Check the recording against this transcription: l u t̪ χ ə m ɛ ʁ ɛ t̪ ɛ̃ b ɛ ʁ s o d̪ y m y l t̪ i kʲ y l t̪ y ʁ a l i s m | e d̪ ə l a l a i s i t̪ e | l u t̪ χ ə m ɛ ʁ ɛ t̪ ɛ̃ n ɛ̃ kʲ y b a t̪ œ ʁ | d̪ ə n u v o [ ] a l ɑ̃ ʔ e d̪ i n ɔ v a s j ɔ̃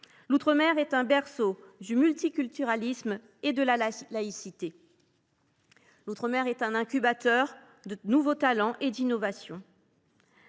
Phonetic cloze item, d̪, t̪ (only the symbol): t̪